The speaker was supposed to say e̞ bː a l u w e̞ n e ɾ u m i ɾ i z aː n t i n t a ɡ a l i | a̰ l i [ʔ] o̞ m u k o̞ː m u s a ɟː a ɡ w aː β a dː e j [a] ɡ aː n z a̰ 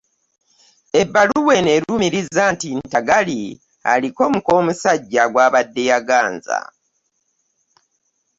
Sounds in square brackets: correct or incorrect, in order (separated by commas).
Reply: incorrect, correct